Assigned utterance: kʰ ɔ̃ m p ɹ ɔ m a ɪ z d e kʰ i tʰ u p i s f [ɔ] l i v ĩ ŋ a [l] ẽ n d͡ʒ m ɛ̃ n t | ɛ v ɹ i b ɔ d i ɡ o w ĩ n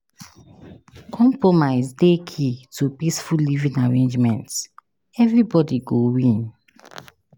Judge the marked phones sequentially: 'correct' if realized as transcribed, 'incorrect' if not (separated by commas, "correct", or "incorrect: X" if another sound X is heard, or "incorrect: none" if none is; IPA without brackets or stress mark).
incorrect: u, incorrect: ɹ